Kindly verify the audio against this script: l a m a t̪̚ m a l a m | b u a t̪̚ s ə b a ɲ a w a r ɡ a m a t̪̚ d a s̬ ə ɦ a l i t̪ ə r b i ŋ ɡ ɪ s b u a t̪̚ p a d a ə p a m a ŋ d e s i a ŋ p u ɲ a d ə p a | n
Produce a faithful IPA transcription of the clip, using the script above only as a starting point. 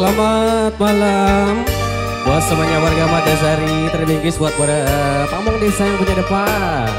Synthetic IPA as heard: l a m a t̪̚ m a l a m | b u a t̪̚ s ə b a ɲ a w a r ɡ a m a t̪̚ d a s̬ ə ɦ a ɾ i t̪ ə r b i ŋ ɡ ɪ s b u a t̪̚ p a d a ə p a m a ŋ d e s a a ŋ p u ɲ a d ə p a | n